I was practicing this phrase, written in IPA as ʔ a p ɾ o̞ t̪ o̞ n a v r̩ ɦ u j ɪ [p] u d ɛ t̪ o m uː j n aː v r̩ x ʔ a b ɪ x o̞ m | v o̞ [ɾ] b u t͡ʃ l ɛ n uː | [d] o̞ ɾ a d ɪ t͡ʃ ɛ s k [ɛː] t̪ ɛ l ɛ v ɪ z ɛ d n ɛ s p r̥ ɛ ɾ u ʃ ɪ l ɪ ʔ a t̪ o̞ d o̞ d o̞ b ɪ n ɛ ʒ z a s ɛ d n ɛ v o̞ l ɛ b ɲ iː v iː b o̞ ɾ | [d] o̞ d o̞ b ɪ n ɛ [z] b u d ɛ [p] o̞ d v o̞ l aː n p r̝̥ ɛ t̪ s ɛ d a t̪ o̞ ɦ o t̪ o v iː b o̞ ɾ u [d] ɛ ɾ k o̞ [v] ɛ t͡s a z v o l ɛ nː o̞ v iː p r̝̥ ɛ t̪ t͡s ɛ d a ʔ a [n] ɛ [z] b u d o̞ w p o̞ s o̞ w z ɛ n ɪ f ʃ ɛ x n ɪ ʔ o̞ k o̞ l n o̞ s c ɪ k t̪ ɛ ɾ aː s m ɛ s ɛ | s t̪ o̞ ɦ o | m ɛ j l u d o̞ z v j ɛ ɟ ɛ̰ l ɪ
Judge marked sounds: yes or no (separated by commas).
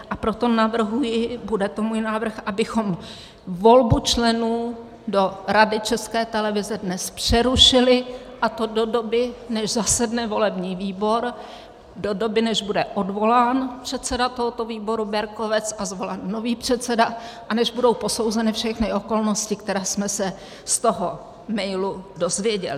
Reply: no, no, yes, yes, yes, no, no, no, yes, yes, no